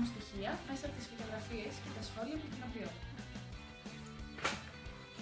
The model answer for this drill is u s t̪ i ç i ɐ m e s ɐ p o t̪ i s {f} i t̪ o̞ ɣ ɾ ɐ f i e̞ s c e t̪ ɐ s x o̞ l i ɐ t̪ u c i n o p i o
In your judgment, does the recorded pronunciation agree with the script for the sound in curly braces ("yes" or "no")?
yes